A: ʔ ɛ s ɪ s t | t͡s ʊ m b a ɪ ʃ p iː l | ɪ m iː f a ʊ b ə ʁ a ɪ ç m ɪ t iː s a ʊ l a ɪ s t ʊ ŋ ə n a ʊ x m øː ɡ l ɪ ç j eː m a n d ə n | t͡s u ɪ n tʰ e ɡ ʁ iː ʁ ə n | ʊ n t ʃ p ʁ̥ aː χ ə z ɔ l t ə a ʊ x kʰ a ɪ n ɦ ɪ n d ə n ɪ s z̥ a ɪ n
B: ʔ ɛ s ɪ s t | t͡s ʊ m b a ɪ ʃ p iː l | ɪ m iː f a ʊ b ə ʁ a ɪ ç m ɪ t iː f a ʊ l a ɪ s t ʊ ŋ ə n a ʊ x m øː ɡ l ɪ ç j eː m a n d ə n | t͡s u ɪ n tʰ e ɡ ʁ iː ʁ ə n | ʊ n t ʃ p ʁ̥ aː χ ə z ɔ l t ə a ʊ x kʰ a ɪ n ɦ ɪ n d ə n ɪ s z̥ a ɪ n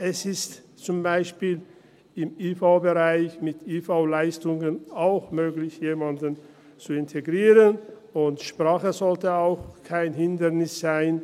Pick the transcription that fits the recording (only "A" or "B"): B